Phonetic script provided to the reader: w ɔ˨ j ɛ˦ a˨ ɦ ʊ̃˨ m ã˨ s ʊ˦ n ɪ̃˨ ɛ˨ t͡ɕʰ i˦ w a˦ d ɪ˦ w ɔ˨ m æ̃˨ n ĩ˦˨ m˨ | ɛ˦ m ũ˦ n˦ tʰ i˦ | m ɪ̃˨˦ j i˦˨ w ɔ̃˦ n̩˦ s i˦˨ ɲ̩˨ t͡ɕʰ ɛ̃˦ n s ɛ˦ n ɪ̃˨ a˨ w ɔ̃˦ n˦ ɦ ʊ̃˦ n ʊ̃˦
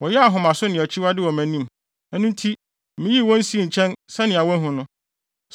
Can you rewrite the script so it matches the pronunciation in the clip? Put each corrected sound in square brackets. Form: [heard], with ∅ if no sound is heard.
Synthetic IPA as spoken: w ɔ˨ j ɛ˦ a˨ ɦ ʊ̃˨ m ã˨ s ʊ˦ n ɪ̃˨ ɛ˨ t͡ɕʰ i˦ w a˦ d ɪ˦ w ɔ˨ m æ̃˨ n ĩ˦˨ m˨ | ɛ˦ [n] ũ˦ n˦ tʰ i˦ | m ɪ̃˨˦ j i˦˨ w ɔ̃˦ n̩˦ s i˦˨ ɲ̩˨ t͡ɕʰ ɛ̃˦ n s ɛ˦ n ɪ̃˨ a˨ w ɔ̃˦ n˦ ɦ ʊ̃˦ n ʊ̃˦